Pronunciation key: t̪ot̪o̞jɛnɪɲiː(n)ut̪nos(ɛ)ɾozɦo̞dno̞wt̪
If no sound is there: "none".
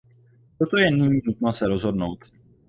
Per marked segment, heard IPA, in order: n, ɛ

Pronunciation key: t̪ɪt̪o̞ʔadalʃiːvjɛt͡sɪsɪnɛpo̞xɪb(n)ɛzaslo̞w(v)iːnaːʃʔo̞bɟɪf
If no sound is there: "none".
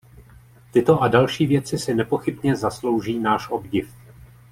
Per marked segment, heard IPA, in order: ɲ, ʒ

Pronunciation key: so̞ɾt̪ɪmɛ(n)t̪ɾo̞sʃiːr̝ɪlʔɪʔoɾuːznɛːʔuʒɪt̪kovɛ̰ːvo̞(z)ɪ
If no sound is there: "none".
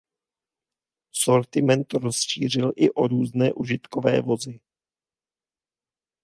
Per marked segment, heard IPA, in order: n, z

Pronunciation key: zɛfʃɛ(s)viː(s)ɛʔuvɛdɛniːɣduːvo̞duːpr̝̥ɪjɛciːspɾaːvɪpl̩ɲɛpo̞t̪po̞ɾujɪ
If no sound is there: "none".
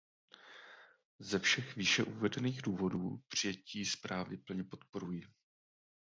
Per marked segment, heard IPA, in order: x, ʃ

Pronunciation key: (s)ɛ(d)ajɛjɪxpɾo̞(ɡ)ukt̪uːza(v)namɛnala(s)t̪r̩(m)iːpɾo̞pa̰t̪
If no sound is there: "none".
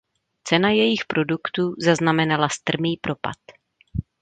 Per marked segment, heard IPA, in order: t͡s, n, d, z, s, m

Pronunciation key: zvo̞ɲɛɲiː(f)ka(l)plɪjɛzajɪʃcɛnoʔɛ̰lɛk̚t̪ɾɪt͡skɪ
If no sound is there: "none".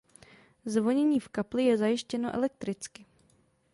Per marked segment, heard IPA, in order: f, none

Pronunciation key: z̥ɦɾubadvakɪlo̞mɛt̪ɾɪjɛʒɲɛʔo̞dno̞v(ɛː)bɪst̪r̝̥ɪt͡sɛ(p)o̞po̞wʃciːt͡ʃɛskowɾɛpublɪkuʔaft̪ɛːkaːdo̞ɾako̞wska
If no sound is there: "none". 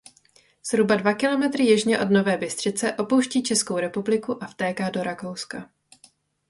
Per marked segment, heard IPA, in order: ɛː, ʔ

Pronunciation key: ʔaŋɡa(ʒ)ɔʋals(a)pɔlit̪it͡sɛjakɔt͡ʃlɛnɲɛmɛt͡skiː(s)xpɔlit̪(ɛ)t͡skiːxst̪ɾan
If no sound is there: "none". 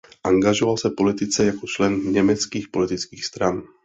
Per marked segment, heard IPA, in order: ʒ, a, none, i

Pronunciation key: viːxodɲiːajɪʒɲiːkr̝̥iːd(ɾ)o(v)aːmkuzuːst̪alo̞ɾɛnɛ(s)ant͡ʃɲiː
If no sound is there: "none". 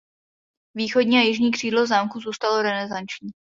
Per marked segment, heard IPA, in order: l, z, z

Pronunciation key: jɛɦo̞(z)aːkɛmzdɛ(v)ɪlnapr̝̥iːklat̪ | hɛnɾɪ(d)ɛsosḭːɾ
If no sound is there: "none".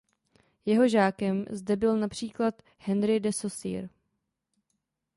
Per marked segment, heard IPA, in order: ʒ, b, d

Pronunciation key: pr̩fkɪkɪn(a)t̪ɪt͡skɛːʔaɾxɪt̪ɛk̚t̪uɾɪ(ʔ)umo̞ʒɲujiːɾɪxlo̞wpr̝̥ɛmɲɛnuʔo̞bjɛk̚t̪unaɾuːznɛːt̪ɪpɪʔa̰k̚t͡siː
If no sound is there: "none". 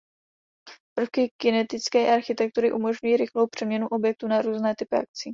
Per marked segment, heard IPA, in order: ɛ, ʔ

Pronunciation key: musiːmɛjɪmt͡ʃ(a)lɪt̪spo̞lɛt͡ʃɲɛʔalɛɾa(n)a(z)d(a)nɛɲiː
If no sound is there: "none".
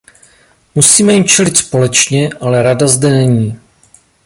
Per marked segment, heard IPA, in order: ɛ, d, z, ɛ

